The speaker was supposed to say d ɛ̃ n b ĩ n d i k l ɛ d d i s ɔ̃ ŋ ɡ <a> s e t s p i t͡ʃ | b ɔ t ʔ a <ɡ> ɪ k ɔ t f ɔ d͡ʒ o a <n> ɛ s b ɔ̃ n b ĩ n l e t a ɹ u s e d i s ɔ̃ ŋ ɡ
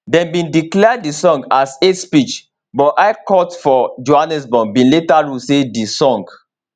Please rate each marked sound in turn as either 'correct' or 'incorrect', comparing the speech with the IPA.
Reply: correct, incorrect: none, correct

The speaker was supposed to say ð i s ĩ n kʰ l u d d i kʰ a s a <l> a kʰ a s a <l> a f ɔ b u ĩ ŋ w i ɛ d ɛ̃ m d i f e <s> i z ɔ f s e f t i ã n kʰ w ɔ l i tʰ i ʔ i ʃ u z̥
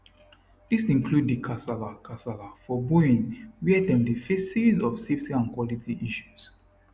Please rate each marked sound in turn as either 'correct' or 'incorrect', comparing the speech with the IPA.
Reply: correct, correct, correct

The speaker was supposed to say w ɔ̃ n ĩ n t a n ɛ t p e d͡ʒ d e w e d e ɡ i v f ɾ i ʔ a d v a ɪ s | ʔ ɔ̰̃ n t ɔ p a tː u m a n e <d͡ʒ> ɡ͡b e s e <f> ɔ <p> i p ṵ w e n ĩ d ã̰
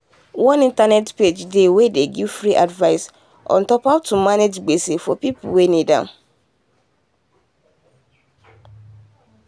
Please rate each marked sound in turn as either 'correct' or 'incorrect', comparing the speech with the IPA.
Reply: correct, correct, correct

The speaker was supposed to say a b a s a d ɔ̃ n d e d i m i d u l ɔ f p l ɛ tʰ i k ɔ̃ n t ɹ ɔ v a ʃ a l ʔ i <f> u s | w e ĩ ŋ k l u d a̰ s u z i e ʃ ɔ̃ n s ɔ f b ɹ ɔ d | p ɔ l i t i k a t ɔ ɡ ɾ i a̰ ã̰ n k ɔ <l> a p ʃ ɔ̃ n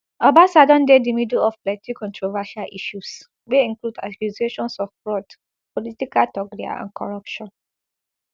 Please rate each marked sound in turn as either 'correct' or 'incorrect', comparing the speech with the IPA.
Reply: incorrect: ʃ, incorrect: ɹ

